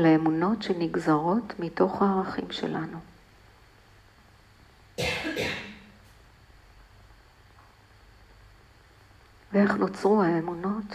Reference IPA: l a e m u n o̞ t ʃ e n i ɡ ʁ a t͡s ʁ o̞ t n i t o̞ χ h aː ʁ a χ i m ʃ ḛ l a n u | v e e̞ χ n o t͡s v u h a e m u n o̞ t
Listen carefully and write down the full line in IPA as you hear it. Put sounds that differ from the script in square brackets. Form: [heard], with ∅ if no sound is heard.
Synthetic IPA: l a e m u n o̞ t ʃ e n i ɡ [z] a [∅] ʁ o̞ t [m] i t o̞ χ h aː ʁ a χ i m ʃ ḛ l a n u | v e e̞ χ n o t͡s [ʁ] u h a e m u n o̞ t